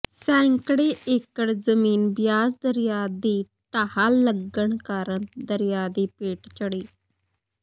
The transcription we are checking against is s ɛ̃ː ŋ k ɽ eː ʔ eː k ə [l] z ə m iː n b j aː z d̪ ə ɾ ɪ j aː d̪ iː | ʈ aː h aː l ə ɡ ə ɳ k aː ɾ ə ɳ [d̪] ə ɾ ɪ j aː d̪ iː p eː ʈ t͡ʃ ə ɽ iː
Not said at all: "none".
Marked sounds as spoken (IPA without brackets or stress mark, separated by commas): ɽ, d̪